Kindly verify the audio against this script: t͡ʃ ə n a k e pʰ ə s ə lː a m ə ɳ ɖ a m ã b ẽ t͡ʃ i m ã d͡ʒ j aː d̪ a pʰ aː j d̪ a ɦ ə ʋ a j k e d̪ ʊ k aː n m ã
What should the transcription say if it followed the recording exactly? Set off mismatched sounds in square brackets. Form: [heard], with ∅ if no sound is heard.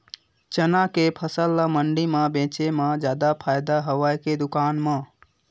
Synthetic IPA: t͡ʃ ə n a k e pʰ ə s ə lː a m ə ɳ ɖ [i] m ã b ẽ t͡ʃ [e] m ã d͡ʒ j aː d̪ a pʰ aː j d̪ a ɦ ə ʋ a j k e d̪ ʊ k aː n m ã